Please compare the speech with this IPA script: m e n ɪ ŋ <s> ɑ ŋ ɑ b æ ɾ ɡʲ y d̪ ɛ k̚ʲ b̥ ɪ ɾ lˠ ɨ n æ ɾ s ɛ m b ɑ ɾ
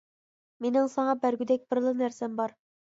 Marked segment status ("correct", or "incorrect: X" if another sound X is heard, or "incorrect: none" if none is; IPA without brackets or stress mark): correct